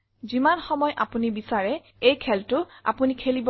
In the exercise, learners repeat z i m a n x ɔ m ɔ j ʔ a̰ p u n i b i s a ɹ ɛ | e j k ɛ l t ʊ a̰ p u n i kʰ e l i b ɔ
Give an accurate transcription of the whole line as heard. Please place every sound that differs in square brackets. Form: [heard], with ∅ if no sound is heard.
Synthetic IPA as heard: z i m a n x ɔ m ɔ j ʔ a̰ p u n i b i s a ɹ ɛ | e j [kʰ] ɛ l t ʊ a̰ p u n i kʰ e l i b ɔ